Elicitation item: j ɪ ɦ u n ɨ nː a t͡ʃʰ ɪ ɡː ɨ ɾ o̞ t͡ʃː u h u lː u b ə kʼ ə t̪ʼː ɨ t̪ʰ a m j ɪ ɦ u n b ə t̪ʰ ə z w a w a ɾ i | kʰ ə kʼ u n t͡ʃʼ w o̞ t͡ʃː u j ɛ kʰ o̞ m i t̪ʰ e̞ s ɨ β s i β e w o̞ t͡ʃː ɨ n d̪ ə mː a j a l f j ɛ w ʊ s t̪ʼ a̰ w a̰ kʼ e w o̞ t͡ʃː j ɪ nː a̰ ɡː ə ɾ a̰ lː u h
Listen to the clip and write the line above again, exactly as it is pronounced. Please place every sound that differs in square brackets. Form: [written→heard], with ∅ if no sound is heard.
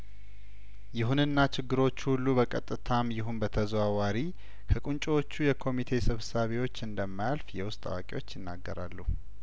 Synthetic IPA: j ɪ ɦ u n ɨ nː a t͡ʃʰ ɪ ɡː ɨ ɾ o̞ t͡ʃː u h u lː u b ə kʼ ə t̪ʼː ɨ t̪ʰ a m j ɪ ɦ u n b ə t̪ʰ ə z w a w a ɾ i | kʰ ə kʼ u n t͡ʃʼ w o̞ t͡ʃː u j ɛ kʰ o̞ m i t̪ʰ e̞ s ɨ β s [i→a] β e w o̞ t͡ʃː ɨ n d̪ ə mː a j a l f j ɛ w ʊ s t̪ʼ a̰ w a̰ kʼ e w o̞ t͡ʃː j ɪ nː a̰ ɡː ə ɾ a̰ lː u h